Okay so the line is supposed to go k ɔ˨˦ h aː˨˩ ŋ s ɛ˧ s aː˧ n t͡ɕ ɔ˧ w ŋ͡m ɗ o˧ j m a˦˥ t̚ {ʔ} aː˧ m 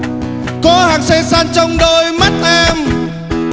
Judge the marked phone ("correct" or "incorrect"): correct